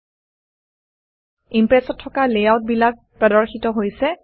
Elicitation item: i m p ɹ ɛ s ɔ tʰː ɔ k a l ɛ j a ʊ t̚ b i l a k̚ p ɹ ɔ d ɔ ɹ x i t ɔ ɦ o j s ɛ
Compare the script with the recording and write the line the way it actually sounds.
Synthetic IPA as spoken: i m p ɹ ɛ s ɔ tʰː ɔ k a l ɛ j a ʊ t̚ b i l a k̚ p ɹ ɔ d ɔ ɹ x i t ɔ ɦ o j s ɛ